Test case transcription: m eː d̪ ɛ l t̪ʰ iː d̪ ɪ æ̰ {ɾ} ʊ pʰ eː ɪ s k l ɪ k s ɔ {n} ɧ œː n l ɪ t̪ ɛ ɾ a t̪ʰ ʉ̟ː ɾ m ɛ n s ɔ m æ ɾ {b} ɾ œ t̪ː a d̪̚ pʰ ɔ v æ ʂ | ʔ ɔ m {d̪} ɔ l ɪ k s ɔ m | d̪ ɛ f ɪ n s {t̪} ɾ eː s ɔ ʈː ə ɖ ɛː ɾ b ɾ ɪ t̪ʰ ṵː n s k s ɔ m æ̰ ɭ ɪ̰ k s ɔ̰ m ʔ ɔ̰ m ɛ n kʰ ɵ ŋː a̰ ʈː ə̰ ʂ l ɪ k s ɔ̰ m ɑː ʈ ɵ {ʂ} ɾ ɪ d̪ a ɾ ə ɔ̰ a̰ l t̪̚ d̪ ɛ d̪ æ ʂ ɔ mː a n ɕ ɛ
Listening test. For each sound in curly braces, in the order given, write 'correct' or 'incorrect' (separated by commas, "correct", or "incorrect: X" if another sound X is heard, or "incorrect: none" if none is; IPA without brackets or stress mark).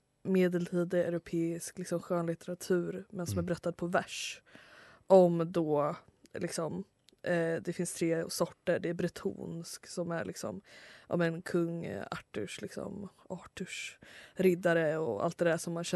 correct, incorrect: m, correct, correct, incorrect: t̪ʰ, correct